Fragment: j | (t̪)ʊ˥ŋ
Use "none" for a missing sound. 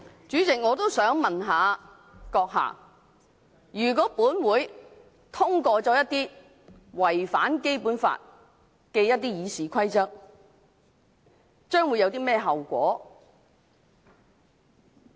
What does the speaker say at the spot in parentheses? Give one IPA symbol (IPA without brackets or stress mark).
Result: t̪ʰ